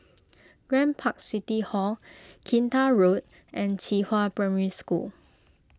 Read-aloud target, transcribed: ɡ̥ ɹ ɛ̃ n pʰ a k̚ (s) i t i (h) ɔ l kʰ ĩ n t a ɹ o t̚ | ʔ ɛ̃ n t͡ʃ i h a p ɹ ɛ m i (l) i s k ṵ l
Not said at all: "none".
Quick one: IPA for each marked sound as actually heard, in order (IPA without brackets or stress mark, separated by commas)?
s, h, ɹ